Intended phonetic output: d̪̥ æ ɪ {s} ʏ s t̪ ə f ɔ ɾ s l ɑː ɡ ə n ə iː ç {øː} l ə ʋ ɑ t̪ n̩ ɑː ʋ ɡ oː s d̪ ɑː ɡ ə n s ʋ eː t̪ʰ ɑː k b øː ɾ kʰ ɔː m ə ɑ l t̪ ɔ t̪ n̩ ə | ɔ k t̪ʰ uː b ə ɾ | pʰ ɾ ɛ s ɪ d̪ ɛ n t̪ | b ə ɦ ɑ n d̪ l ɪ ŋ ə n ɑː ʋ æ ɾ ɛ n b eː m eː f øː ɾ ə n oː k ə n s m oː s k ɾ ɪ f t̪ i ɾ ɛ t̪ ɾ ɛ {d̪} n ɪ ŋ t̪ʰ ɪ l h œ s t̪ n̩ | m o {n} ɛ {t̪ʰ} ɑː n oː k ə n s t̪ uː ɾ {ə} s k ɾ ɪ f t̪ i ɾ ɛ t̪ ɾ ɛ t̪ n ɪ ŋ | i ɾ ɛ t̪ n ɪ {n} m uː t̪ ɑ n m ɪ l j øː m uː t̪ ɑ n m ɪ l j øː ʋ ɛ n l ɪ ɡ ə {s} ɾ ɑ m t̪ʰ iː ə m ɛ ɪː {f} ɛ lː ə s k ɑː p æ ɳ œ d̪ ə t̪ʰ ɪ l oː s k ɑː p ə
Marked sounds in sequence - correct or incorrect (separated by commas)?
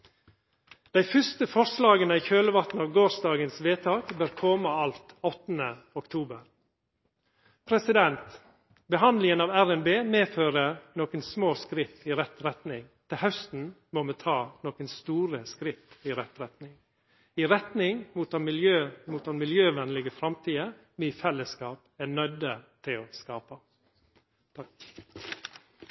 incorrect, correct, incorrect, incorrect, correct, correct, incorrect, incorrect, correct